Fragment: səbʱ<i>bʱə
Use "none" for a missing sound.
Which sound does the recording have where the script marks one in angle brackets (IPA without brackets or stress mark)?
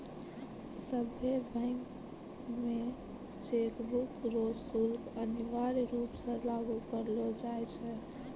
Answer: e